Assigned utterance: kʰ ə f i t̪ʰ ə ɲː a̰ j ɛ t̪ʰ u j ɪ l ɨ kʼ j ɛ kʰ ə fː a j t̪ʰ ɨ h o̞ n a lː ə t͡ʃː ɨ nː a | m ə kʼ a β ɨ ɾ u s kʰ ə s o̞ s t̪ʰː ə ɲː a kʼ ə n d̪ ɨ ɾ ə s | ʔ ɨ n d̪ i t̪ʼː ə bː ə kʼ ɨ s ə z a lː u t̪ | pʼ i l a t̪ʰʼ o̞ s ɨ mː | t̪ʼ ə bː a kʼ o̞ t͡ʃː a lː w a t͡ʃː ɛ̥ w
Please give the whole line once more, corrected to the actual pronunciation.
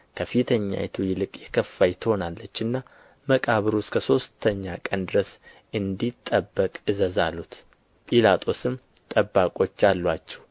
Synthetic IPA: kʰ ə f i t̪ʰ ə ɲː a̰ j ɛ t̪ʰ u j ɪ l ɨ kʼ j ɛ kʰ ə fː a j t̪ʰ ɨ h o̞ n a lː ə t͡ʃː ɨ nː a | m ə kʼ a β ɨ ɾ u s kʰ ə s o̞ s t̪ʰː ə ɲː a kʼ ə n d̪ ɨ ɾ ə s | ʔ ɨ n d̪ i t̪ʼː ə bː ə kʼ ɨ z ə z a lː u t̪ | pʼ i l a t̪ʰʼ o̞ s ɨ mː | t̪ʼ ə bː a kʼ o̞ t͡ʃː a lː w a t͡ʃː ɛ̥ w